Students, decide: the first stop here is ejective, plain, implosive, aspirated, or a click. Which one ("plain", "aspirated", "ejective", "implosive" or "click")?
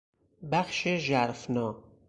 plain